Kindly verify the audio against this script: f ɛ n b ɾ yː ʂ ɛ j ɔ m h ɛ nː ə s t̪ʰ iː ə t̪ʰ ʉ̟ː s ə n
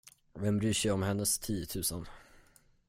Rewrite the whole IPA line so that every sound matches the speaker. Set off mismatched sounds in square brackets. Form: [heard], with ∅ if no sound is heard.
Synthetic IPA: [v] ɛ [m] b ɾ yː ʂ ɛ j ɔ m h ɛ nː ə s t̪ʰ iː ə t̪ʰ ʉ̟ː s ə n